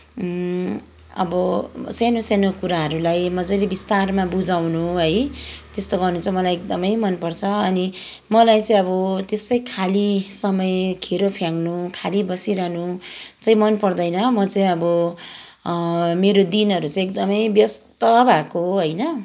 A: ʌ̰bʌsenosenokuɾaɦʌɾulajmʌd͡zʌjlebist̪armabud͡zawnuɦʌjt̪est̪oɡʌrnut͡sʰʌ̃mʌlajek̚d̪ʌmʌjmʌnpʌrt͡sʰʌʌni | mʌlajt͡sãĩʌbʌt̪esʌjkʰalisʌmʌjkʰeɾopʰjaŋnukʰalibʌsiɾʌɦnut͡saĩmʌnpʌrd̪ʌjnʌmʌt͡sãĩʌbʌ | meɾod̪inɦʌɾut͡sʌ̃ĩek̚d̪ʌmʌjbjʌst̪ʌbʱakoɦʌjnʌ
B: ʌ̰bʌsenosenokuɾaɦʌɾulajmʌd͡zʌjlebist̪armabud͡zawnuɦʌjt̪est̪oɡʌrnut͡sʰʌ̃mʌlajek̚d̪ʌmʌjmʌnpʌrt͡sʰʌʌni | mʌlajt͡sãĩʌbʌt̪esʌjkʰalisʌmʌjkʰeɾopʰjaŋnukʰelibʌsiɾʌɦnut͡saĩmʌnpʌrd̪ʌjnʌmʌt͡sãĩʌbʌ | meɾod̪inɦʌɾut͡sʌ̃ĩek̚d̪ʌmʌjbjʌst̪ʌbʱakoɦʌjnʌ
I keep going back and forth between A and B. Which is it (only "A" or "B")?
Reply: A